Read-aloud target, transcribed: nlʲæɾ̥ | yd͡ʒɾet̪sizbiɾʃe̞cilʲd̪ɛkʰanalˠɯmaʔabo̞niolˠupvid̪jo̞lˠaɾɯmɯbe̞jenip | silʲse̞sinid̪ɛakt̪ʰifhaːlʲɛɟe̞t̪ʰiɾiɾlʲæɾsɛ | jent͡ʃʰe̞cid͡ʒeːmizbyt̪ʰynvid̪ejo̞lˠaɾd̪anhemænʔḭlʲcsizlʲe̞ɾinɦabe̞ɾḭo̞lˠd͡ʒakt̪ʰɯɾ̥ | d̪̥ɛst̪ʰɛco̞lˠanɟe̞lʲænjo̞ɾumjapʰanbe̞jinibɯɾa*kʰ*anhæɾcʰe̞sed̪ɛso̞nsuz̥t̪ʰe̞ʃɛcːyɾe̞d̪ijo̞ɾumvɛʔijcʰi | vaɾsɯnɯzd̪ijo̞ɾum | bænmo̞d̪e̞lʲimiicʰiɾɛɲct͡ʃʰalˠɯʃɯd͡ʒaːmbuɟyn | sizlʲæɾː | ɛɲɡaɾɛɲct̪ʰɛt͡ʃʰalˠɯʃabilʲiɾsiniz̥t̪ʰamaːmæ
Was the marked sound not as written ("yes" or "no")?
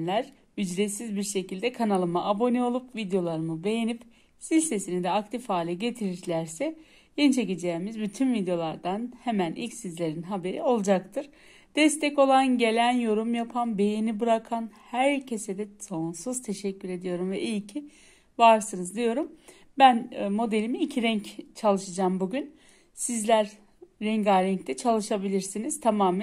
no